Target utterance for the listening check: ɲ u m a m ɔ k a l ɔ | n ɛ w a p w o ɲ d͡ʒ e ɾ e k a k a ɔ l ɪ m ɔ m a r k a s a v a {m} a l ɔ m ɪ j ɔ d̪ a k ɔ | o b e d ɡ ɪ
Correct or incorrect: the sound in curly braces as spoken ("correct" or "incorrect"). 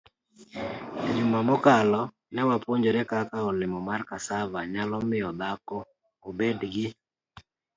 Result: incorrect